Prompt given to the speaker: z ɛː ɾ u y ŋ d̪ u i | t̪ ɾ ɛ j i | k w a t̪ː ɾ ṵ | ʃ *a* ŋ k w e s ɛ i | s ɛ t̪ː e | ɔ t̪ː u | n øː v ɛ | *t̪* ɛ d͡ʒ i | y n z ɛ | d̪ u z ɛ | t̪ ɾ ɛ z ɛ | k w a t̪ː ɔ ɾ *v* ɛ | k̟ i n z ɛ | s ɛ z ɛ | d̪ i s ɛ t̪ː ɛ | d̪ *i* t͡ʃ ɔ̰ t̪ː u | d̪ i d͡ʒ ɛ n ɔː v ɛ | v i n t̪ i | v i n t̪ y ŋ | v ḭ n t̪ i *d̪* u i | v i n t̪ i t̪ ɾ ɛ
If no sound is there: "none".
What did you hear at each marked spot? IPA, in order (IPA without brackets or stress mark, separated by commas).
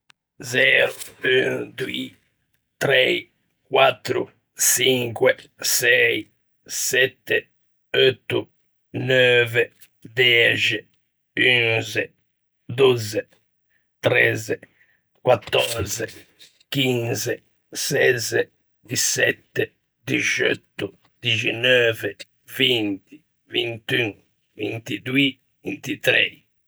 i, d̪, z, i, d̪